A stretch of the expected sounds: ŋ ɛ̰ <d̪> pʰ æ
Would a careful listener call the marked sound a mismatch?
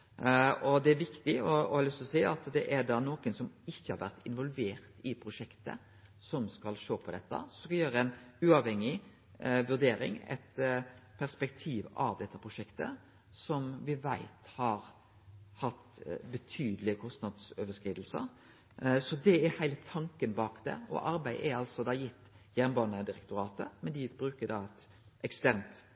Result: yes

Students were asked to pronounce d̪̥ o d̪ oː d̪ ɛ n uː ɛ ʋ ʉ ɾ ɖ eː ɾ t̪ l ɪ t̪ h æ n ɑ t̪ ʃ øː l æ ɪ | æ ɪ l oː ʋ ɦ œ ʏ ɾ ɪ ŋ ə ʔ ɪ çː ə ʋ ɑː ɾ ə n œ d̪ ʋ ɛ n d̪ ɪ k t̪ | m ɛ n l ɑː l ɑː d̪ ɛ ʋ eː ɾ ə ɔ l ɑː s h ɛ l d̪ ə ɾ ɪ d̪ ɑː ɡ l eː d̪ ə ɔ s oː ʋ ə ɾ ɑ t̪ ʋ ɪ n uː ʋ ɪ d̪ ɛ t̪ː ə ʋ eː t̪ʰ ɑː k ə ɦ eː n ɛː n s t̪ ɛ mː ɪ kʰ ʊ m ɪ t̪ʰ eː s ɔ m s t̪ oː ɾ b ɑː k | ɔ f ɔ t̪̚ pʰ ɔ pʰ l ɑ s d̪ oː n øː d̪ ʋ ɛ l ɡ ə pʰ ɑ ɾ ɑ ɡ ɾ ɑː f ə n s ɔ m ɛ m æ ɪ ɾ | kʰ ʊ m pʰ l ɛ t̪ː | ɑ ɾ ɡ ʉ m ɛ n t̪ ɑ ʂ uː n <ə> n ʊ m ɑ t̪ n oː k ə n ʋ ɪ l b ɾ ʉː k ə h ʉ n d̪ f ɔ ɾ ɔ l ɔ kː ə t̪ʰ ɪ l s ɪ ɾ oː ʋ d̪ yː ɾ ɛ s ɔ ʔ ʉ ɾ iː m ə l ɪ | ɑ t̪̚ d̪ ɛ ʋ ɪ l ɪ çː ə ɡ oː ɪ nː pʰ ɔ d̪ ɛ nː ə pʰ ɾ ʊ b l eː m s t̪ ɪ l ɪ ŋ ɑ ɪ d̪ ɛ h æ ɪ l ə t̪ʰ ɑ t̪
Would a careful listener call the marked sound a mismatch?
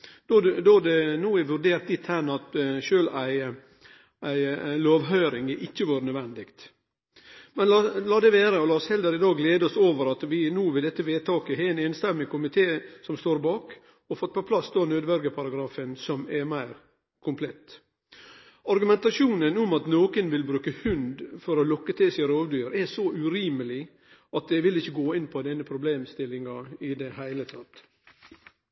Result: no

